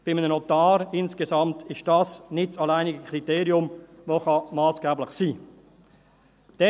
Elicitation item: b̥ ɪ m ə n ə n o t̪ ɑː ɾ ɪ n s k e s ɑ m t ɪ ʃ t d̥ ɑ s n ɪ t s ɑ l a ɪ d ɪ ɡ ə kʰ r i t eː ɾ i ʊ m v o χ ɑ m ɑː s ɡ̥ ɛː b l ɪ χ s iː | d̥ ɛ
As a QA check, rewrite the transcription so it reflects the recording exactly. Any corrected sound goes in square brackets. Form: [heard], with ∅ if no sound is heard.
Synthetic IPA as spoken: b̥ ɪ m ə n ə n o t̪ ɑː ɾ ɪ n s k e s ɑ m t ɪ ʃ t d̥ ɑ s n ɪ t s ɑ l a ɪ [n] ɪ ɡ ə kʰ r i t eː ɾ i ʊ m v o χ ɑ m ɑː s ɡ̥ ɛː b l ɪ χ s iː | d̥ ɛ